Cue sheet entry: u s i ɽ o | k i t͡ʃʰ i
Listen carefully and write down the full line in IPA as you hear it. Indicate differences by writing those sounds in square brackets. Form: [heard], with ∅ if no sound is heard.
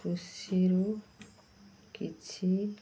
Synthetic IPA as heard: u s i [ɾ] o | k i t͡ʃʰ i